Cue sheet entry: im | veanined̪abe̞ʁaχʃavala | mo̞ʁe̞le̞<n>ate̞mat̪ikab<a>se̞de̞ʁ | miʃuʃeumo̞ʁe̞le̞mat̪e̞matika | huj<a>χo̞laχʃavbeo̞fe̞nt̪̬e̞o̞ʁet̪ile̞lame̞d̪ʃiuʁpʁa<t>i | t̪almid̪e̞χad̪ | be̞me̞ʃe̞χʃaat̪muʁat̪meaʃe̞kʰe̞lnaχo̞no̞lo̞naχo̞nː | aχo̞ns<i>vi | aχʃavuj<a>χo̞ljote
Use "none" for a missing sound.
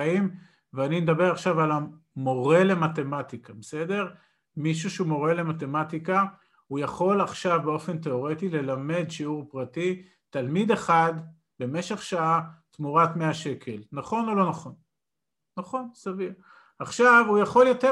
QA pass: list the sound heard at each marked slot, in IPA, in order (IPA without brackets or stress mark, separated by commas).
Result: m, e, a, t, a, a